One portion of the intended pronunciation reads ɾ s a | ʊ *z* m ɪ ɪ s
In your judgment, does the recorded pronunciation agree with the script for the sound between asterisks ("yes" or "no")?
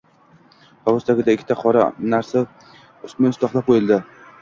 no